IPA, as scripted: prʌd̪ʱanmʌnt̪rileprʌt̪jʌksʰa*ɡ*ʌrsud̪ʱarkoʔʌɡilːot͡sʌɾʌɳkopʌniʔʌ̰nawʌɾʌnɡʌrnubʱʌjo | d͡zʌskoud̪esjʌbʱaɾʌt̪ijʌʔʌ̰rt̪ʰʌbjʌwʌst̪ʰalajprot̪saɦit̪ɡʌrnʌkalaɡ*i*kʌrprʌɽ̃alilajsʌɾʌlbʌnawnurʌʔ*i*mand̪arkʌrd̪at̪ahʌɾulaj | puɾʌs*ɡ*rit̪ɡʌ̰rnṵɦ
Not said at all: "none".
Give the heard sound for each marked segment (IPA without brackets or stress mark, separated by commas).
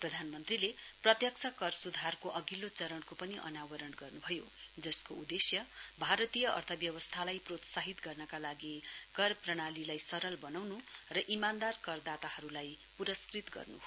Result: k, i, i, k